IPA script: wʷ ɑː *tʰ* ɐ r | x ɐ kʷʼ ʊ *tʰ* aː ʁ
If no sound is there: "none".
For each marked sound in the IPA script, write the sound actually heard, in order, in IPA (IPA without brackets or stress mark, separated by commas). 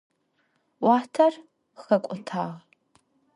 tʰ, tʰ